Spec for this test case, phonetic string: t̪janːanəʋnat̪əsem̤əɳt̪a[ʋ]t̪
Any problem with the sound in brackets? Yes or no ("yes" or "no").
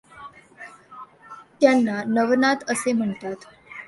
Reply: yes